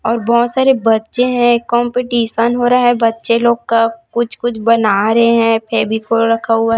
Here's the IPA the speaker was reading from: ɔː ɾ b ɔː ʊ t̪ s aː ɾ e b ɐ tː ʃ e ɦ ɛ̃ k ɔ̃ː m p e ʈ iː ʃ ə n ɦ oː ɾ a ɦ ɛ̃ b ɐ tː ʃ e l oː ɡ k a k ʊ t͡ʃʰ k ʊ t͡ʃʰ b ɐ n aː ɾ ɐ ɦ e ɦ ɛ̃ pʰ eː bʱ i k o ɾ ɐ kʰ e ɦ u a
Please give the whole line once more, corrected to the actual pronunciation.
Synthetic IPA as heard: ɔː ɾ b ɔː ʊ t̪ s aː ɾ e b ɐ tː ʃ e ɦ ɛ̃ k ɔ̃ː m p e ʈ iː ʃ ə n ɦ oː ɾ a ɦ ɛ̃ b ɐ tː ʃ e l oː ɡ k a k ʊ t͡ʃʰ k ʊ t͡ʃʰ b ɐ n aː ɾ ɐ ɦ e ɦ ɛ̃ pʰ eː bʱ i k o ɾ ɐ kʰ a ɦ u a